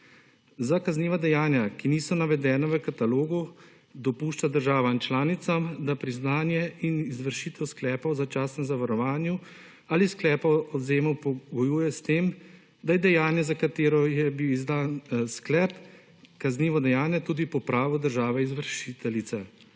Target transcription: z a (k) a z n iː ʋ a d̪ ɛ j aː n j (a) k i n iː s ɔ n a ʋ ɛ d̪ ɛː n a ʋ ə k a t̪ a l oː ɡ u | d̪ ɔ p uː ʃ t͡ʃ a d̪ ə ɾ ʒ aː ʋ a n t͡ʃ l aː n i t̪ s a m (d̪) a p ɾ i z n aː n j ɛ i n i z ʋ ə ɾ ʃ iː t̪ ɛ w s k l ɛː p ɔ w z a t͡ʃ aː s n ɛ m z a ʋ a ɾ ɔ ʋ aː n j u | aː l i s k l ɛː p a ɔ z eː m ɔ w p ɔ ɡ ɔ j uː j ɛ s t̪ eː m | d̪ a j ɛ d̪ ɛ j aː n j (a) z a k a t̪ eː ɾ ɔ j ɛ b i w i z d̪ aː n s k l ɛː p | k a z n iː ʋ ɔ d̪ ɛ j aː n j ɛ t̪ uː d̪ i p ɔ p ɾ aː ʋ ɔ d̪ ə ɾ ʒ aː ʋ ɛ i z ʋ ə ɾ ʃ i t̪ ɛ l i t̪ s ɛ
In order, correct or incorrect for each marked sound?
correct, correct, correct, incorrect: ɛ

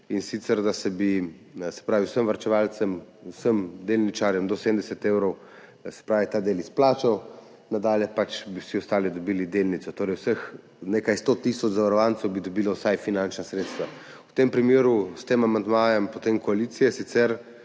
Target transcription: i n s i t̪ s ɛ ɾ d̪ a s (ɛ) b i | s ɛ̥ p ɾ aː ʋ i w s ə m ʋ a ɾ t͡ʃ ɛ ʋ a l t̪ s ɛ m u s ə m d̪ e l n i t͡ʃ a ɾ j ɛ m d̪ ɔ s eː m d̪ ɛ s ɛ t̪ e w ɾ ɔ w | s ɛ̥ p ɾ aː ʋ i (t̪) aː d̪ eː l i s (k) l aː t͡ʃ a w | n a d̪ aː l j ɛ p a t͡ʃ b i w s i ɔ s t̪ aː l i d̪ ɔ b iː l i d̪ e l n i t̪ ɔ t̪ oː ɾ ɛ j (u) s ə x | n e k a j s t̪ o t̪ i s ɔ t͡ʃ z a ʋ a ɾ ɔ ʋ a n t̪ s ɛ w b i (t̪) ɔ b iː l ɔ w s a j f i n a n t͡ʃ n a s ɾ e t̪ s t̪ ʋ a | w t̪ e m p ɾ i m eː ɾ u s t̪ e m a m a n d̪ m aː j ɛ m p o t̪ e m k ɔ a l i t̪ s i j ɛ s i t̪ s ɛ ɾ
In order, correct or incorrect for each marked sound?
correct, correct, incorrect: p, incorrect: w, incorrect: d̪

